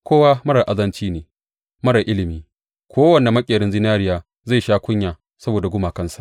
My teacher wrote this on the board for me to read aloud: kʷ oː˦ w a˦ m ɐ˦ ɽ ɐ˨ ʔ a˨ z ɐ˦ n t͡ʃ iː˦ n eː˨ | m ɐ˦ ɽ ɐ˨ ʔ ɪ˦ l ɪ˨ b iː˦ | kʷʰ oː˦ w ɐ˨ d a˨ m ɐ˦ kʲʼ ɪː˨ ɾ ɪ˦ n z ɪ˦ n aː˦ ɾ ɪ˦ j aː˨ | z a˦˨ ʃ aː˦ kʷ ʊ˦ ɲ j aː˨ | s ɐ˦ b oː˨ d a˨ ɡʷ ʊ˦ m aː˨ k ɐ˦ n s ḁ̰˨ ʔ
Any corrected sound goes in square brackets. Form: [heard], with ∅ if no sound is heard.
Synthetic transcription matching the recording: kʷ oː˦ w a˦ m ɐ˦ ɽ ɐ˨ ʔ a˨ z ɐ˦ n t͡ʃ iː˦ n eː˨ | m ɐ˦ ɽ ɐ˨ ʔ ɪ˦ l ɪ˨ [m] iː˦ | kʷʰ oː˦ w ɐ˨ [n] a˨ m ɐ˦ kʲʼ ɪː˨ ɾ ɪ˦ n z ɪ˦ n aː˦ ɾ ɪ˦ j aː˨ | z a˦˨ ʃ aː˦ kʷ ʊ˦ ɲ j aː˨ | s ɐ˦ b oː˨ d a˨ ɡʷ ʊ˦ m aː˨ k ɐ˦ n s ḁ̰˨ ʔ

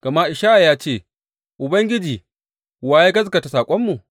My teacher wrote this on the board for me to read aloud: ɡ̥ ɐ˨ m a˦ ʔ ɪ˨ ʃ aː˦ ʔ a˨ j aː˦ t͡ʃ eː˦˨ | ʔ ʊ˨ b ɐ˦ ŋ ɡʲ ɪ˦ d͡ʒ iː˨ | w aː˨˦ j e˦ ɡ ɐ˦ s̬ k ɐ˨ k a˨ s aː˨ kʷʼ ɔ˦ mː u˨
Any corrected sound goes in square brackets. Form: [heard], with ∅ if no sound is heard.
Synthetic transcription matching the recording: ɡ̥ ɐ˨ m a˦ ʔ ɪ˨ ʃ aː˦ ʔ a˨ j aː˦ t͡ʃ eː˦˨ | ʔ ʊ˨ b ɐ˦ ŋ ɡʲ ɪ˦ d͡ʒ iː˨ | w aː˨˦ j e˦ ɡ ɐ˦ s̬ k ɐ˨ [t] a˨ s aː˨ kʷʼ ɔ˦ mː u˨

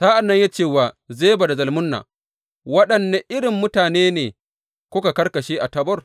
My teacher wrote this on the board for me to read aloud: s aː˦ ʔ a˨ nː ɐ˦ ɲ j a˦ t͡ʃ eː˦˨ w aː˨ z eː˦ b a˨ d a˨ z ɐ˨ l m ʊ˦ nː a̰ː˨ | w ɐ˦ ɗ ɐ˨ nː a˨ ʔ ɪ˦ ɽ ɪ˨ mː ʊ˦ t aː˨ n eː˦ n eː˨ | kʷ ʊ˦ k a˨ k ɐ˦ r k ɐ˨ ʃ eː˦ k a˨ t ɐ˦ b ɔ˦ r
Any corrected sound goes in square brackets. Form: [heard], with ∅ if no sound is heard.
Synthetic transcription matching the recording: s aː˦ ʔ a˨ nː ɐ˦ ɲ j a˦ t͡ʃ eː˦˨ w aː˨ z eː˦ b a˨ d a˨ z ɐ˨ l m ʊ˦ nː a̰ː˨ | w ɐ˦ ɗ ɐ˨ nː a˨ ʔ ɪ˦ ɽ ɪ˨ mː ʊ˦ t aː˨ n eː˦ n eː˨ | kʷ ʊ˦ k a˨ k ɐ˦ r k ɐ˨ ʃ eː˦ [ʔ] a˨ t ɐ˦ b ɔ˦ r

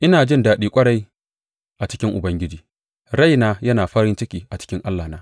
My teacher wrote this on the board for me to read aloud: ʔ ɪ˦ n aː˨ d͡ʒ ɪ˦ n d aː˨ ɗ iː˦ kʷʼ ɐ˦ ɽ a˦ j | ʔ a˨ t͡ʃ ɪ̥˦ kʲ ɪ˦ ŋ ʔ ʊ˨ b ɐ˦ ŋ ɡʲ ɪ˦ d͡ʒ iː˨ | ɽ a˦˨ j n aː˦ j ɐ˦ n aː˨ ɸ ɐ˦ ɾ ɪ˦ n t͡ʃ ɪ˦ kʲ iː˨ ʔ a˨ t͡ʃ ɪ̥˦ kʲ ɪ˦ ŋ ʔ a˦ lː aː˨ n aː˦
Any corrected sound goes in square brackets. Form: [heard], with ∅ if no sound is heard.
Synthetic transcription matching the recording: ʔ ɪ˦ n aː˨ d͡ʒ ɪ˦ n d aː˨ ɗ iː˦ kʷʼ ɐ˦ ɽ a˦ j | ʔ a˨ t͡ʃ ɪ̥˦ kʲ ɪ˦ ŋ ʔ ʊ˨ b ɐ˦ ŋ ɡʲ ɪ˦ d͡ʒ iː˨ | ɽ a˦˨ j n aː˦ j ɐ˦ n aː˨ ɸ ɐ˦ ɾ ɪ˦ n t͡ʃ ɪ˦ kʲ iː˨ ʔ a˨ t͡ʃ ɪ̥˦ kʲ ɪ˦ ŋ ʔ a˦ lː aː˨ n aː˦

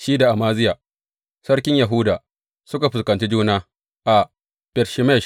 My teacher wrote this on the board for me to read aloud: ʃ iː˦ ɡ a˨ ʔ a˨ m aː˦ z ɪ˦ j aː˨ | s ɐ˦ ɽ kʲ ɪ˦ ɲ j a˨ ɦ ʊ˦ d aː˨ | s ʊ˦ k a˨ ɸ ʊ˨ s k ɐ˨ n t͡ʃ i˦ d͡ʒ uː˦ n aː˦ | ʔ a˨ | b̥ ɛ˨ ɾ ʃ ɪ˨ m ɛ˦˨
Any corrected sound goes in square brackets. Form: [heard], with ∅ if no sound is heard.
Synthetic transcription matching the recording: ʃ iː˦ [d] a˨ ʔ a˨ m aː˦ z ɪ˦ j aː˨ | s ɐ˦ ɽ kʲ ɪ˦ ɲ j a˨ ɦ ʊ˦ d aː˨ | s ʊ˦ k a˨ ɸ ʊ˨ s k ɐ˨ n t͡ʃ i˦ d͡ʒ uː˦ n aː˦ | ʔ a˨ | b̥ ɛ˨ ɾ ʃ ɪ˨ m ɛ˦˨

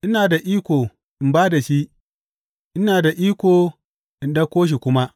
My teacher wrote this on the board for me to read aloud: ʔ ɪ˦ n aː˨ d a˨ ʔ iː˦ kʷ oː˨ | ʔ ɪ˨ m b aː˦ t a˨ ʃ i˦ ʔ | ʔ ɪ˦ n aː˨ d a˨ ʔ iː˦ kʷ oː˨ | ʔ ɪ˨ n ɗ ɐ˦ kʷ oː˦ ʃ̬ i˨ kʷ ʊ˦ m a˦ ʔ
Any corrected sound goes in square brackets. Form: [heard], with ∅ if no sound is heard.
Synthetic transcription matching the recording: ʔ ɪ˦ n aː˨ d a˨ ʔ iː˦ kʷ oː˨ | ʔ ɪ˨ m b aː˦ [d] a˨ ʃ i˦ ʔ | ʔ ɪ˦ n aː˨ d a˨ ʔ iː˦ kʷ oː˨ | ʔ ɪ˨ n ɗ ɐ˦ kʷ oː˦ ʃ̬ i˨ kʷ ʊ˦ m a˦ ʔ

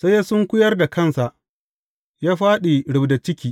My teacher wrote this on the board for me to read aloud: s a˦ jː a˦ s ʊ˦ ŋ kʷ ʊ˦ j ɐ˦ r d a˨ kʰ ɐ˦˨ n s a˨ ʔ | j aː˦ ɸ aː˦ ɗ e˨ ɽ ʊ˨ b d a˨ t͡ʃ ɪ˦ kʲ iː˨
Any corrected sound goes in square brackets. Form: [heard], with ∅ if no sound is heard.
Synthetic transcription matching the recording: s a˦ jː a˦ s ʊ˦ ŋ kʷ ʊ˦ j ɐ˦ r d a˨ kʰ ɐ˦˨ n s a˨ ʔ | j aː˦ ɸ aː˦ ɗ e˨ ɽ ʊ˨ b d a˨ t͡ʃ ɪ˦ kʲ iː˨

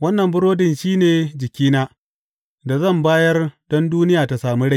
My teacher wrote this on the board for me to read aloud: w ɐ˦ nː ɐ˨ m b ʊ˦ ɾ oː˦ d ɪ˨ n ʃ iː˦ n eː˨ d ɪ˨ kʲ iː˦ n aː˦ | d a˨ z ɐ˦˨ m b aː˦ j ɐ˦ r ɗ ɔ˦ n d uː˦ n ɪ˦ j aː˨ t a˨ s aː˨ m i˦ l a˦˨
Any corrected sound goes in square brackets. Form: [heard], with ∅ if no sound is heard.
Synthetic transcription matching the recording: w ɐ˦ nː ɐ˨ m b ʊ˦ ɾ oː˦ d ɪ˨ n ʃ iː˦ n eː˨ [d͡ʒ] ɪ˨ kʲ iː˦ n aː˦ | d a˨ z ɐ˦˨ m b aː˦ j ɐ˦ r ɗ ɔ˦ n d uː˦ n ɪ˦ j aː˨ t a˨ s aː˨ m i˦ [ɽ] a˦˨

